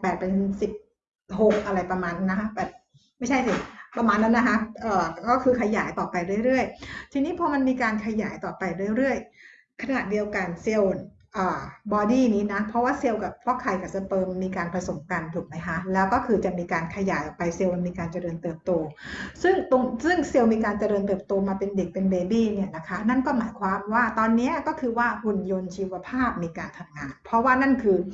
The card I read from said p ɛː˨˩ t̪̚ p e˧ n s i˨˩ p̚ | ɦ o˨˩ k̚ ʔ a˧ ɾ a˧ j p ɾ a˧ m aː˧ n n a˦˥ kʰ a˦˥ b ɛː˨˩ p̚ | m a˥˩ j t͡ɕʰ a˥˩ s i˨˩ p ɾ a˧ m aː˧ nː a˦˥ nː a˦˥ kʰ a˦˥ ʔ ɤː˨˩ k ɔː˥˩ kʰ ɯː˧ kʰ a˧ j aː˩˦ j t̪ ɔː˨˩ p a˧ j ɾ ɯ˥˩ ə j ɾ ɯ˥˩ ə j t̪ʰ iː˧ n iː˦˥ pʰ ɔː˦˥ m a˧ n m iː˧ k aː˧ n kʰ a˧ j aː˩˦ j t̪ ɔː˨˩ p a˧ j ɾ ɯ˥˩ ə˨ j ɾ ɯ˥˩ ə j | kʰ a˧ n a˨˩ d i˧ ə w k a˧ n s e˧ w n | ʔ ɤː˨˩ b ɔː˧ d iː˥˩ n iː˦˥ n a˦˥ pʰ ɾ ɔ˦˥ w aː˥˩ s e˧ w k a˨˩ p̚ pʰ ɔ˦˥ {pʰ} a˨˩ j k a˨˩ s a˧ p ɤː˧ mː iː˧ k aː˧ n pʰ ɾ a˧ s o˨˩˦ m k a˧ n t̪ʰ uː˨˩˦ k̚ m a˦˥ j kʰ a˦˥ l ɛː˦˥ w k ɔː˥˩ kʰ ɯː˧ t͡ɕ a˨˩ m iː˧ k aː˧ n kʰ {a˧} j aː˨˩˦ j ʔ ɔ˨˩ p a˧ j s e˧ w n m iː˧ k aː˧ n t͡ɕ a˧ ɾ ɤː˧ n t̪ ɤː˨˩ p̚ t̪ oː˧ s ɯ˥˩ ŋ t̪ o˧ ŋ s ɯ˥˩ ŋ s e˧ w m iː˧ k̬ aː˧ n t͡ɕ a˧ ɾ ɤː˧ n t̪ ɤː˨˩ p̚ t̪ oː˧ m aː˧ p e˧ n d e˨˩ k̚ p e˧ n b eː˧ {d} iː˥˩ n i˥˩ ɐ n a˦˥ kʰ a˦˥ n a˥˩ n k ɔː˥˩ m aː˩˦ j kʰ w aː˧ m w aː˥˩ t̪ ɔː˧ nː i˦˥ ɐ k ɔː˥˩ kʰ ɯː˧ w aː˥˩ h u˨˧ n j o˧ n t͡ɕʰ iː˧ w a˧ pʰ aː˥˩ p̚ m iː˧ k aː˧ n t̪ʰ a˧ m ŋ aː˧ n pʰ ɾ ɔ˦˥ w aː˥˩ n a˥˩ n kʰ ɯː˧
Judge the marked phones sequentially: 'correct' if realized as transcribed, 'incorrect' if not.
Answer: incorrect: kʰ, correct, incorrect: b

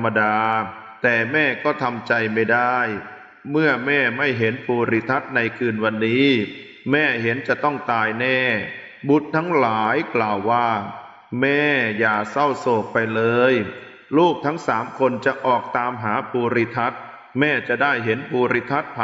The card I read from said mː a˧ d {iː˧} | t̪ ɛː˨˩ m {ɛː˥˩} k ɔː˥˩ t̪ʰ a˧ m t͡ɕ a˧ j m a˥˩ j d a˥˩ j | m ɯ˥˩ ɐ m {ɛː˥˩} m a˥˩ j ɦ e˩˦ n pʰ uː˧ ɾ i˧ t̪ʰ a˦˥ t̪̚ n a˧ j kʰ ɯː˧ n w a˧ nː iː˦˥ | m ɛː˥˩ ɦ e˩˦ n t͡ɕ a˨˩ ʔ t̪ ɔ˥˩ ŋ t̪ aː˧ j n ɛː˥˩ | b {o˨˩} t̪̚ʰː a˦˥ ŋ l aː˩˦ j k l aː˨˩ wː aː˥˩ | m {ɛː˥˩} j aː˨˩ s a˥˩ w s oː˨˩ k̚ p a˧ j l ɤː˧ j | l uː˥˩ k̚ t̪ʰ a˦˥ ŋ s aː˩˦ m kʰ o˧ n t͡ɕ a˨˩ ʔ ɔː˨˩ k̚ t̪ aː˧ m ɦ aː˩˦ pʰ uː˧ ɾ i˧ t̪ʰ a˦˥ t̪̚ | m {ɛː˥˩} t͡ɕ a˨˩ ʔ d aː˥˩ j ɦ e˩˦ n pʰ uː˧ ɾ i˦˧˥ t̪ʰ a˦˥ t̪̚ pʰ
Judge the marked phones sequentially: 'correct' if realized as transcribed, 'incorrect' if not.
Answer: incorrect: aː˧, correct, correct, incorrect: u˨˩, correct, correct

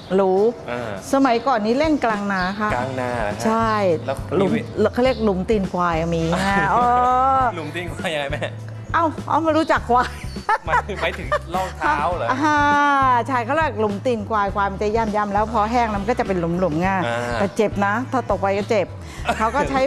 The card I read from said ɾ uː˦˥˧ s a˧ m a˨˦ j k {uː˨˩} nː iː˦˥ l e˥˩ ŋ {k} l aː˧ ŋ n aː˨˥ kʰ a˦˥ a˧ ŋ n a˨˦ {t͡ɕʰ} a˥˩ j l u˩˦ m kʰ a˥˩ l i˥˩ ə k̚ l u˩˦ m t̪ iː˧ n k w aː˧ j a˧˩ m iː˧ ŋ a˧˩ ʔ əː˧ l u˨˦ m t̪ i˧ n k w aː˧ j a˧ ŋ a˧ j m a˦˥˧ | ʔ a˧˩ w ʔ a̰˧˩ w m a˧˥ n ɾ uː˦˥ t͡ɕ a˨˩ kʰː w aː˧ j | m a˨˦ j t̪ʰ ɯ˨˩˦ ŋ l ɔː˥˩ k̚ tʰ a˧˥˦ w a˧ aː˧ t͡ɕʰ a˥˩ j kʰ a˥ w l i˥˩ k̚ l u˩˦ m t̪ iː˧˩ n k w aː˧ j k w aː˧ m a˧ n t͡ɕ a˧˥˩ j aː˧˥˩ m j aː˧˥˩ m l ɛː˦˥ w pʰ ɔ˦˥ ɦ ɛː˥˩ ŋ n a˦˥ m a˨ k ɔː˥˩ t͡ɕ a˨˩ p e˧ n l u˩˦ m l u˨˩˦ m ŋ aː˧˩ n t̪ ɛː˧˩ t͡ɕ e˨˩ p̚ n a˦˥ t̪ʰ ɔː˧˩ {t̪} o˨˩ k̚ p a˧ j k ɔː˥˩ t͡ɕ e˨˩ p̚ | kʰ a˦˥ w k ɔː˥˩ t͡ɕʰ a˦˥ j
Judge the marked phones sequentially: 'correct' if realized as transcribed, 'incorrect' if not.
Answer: incorrect: ɔː˨˩, correct, correct, correct

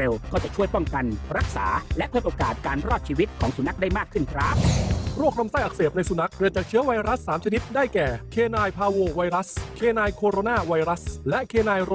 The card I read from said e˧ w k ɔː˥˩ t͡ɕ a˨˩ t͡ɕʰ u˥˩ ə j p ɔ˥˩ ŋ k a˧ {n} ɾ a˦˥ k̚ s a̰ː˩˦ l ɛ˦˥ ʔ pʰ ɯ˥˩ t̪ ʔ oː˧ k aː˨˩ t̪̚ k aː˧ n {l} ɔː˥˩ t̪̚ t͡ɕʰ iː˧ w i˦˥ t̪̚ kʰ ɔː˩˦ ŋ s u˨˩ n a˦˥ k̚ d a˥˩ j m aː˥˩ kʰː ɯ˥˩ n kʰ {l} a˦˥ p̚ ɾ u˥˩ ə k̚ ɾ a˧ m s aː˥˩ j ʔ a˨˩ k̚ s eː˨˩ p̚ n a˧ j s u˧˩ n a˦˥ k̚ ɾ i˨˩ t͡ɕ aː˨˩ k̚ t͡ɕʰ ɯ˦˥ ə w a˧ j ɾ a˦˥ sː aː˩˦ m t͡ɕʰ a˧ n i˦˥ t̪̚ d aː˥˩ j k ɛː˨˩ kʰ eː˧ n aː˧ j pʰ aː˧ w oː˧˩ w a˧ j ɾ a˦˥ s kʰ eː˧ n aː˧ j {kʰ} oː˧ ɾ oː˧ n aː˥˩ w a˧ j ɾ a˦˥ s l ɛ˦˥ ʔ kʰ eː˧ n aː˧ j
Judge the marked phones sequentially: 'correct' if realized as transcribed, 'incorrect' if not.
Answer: correct, incorrect: ɾ, incorrect: ɾ, correct

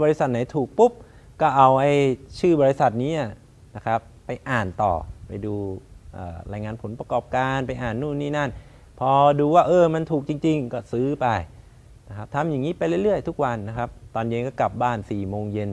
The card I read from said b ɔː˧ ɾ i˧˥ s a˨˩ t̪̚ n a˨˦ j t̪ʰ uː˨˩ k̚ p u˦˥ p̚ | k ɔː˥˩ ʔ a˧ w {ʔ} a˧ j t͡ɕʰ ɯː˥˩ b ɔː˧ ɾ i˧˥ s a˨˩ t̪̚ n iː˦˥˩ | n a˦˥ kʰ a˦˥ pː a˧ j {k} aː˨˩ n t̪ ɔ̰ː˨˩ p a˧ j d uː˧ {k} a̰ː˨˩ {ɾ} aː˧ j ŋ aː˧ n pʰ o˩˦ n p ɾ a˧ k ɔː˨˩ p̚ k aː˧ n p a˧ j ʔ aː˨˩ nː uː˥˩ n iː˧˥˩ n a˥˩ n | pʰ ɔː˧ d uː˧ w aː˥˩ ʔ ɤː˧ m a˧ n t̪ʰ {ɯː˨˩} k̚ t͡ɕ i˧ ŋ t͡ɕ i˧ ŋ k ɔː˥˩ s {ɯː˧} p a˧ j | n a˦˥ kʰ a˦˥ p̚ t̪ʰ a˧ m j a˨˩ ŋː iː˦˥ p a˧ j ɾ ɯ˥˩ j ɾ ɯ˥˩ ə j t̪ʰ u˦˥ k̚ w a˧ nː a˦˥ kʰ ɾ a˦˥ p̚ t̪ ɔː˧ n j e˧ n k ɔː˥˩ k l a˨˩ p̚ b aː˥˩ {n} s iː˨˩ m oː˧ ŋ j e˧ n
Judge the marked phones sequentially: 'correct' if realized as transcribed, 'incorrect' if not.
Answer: correct, incorrect: ʔ, incorrect: ʔ, correct, incorrect: uː˨˩, incorrect: ɯː˦˥, correct

